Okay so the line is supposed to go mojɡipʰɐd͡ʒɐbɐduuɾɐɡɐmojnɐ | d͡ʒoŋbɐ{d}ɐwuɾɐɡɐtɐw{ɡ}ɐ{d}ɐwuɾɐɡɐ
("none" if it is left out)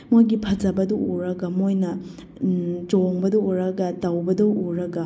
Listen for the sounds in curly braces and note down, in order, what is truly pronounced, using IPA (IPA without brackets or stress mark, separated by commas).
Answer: d, b, d